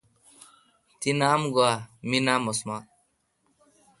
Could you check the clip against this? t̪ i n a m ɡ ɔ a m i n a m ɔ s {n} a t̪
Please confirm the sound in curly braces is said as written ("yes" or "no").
no